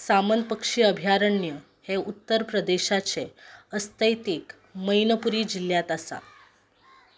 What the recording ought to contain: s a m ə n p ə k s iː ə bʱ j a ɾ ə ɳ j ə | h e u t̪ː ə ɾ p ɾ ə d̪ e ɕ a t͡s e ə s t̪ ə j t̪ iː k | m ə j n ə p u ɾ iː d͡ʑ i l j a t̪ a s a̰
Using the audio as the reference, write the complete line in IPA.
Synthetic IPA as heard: s a m ə n p ə k ʂ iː ə bʱ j a ɾ ə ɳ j ə | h e u t̪ː ə ɾ p ɾ ə d̪ e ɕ a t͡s e ə s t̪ ə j t̪ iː k | m ə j n ə p u ɾ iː d͡ʑ i l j a t̪ a s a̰